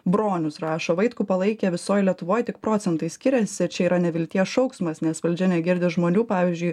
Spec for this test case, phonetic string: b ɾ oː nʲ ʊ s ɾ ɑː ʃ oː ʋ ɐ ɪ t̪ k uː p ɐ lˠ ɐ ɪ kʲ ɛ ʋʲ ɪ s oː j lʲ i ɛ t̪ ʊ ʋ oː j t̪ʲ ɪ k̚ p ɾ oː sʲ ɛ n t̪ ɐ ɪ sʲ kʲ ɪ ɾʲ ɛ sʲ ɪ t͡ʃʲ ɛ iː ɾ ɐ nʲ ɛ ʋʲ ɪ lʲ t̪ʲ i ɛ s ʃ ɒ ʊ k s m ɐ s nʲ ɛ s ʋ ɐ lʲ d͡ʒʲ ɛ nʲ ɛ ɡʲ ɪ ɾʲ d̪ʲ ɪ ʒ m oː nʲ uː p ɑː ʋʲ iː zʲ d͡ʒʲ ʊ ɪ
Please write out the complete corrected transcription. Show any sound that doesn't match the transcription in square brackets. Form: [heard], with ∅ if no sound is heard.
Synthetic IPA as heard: b ɾ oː nʲ ʊ s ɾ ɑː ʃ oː ʋ ɐ ɪ t̪ k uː p ɐ lˠ ɐ ɪ kʲ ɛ ʋʲ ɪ s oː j lʲ i ɛ t̪ ʊ ʋ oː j t̪ʲ ɪ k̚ p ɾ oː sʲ ɛ n t̪ ɐ ɪ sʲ kʲ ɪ ɾʲ ɛ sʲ ɪ t͡ʃʲ ɛ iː ɾ ɐ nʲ ɛ ʋʲ ɪ lʲ t̪ʲ i ɛ s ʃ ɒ ʊ k s m ɐ s nʲ ɛ s ʋ ɐ lʲ d͡ʒʲ ɛ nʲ ɛ ɡʲ ɪ ɾʲ d̪ʲ ɪ ʒ m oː nʲ uː p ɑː ʋʲ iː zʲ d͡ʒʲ ʊ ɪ